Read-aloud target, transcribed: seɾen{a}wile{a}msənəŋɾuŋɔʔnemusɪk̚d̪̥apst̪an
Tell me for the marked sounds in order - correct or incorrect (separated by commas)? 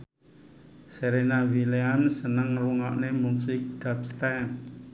correct, correct